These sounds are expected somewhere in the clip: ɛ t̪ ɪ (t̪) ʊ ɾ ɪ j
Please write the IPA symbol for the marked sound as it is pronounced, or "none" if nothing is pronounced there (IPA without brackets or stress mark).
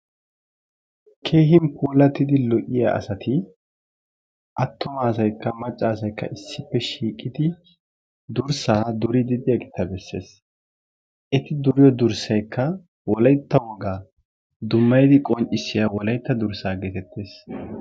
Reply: d̪